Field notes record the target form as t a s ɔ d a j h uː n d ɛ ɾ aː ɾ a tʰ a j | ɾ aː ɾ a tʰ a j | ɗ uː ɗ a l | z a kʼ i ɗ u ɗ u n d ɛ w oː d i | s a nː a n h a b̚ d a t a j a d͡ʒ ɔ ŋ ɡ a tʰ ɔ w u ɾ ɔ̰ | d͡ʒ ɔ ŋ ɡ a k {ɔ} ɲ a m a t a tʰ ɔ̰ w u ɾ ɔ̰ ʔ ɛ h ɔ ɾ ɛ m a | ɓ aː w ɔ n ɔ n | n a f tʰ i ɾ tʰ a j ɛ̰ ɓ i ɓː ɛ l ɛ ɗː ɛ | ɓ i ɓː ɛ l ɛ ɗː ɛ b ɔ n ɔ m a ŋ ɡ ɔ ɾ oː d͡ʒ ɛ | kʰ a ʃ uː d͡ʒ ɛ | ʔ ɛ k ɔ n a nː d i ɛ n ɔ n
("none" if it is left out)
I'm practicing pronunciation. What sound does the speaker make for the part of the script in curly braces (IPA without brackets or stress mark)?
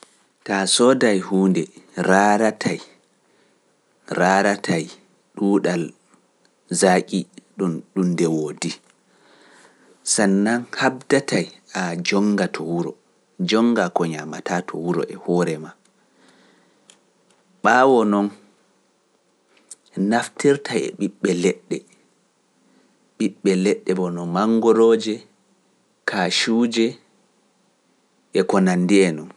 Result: ɔ